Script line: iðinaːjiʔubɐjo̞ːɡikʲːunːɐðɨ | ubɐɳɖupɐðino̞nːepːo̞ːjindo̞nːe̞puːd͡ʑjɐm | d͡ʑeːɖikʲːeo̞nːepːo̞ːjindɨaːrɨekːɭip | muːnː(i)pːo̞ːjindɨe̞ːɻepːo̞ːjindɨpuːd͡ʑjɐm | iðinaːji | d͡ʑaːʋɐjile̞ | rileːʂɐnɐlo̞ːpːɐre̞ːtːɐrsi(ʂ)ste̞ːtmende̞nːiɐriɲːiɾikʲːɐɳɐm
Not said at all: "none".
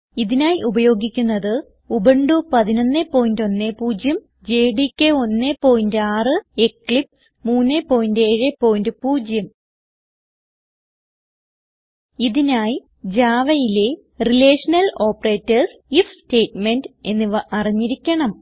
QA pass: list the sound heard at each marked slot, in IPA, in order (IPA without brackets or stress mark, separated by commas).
e, f